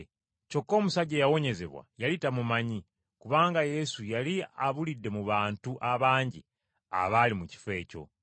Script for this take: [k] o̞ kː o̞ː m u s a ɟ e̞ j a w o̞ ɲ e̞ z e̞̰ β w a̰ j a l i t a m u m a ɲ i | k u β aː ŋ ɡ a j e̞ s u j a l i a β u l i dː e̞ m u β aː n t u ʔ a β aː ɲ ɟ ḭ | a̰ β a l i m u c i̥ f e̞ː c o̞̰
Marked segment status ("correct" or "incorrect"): incorrect